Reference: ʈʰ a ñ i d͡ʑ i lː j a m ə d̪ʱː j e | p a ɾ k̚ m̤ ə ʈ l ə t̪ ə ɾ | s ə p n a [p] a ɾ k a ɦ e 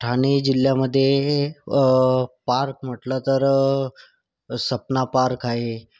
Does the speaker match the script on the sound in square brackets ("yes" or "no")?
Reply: yes